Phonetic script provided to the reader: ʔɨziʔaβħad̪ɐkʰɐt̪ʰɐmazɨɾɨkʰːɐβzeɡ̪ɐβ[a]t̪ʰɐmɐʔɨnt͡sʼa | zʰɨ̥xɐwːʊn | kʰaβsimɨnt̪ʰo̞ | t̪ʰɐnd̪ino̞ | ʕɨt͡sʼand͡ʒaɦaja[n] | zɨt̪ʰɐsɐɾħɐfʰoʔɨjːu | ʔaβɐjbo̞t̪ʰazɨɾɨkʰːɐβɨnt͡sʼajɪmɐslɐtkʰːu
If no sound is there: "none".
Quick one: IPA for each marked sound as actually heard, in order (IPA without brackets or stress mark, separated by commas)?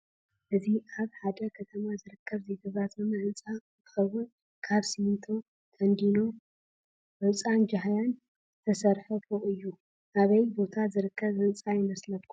a, n